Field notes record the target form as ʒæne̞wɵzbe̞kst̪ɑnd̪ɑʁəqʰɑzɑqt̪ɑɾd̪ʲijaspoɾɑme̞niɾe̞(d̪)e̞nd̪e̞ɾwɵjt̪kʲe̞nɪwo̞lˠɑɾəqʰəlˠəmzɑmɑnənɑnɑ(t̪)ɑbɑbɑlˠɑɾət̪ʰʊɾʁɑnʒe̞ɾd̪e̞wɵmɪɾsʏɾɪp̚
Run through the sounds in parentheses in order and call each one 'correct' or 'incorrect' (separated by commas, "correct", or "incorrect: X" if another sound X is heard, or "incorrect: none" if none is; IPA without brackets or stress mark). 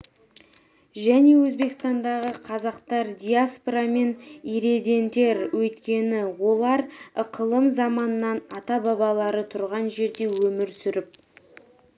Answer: correct, correct